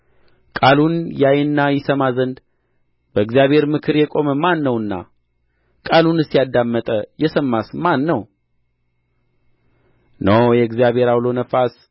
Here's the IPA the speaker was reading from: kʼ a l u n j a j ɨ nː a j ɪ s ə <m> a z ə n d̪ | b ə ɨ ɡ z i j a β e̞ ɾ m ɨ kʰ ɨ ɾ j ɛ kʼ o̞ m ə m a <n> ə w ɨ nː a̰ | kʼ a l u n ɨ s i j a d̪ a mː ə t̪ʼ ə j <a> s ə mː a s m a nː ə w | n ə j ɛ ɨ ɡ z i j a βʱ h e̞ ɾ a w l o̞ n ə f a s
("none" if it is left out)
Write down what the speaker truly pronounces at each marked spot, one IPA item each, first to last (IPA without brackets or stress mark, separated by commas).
m, nː, ɛ